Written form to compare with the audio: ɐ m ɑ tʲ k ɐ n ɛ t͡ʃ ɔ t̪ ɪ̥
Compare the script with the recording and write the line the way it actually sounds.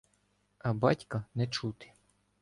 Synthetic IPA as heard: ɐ b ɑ tʲ k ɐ n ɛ t͡ʃ u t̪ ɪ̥